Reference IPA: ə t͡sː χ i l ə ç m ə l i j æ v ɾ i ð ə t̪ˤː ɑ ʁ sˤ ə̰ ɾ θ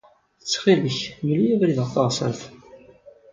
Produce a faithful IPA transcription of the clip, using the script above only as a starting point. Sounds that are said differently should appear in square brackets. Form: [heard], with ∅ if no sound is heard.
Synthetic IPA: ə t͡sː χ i l ə ç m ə l i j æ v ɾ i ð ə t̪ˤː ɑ ʁ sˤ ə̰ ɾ θ